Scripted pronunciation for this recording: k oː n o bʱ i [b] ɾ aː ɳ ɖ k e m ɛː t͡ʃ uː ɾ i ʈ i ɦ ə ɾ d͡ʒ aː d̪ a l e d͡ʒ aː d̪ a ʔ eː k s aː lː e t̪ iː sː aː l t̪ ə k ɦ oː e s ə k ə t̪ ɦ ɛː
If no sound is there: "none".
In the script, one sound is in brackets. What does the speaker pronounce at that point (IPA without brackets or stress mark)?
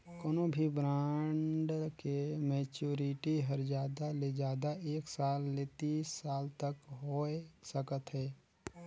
b